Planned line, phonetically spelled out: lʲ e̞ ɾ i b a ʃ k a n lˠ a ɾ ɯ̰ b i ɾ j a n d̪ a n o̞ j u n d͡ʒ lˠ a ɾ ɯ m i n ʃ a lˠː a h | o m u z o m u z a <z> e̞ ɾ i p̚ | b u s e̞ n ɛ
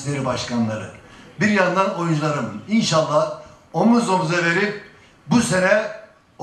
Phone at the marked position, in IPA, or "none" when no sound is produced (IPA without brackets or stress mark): v